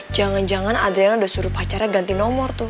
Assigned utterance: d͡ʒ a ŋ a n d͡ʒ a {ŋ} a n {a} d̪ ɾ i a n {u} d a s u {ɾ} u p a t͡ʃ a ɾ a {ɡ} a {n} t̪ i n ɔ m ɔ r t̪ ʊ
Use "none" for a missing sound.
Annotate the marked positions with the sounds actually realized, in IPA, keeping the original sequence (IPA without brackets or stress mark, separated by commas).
ŋ, a, u, ɾ, ɡ, n